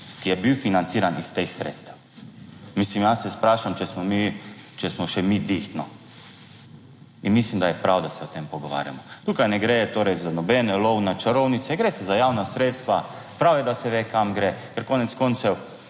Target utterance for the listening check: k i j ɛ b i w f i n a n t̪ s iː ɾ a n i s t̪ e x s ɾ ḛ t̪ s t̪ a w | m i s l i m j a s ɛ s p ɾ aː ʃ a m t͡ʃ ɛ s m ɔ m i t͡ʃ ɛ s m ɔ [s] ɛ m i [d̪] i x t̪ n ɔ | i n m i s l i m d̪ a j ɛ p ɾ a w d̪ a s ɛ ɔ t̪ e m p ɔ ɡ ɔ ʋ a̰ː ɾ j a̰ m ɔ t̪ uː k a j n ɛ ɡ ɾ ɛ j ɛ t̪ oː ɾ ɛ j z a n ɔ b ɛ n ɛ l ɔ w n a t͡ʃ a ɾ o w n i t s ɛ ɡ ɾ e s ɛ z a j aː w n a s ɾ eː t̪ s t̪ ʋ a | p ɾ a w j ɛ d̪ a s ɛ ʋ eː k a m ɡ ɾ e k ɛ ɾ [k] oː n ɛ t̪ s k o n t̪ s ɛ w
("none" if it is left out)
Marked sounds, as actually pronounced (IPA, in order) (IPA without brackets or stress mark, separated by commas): ʃ, d̪, k